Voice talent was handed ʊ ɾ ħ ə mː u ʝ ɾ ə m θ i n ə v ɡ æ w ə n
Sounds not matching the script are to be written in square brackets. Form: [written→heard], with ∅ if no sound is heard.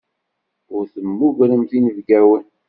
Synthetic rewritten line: ʊ ɾ [ħ→θ] ə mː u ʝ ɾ ə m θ i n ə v ɡ æ w ə n